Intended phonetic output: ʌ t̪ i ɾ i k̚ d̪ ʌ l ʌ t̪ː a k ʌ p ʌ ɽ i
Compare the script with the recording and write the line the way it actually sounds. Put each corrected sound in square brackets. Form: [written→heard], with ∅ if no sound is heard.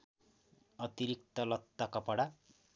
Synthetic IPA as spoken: ʌ t̪ i ɾ i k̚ [d̪→t̪] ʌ l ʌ t̪ː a k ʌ p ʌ ɽ [i→a]